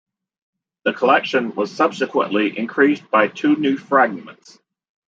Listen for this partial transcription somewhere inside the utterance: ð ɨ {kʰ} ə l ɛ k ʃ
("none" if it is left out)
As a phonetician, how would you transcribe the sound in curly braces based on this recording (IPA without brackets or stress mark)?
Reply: kʰ